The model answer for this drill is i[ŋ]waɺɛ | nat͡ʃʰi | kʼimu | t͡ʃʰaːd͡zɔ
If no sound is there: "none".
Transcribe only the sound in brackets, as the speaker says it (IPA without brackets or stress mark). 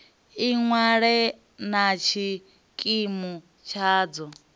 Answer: ŋ